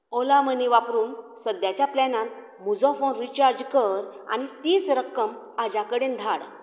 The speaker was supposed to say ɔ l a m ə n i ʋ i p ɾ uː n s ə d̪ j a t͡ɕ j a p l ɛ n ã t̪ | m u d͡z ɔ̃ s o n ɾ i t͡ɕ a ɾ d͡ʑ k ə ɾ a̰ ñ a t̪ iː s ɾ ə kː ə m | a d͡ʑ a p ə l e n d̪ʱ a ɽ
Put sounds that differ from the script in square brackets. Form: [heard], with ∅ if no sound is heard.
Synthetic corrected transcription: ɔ l a m ə n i ʋ [a] p ɾ uː n s ə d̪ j a t͡ɕ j a p l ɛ n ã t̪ | m u d͡z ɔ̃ [f] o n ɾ i t͡ɕ a ɾ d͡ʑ k ə ɾ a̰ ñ [i] t̪ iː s ɾ ə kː ə m | a d͡ʑ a [k] ə [ɽ] e n d̪ʱ a ɽ